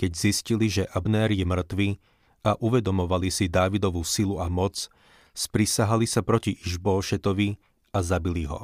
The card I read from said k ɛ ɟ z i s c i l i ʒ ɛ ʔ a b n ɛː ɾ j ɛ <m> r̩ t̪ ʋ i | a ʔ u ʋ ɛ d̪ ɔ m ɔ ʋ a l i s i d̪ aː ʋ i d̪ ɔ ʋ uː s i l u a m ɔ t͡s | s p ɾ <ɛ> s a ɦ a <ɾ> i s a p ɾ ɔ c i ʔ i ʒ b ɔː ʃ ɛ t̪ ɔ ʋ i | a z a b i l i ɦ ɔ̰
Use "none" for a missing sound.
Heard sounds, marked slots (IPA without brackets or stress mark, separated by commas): m, i, l